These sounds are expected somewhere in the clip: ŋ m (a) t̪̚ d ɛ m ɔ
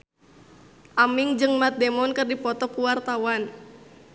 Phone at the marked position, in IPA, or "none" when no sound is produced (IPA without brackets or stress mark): a